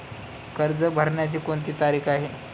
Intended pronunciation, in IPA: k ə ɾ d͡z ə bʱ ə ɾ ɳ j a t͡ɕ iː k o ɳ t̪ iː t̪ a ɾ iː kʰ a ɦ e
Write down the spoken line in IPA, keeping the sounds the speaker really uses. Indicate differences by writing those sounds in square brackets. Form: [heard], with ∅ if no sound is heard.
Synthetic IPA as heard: k ə ɾ d͡z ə bʱ ə ɾ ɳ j a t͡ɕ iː k o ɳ t̪ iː t̪ a ɾ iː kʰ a ɦ e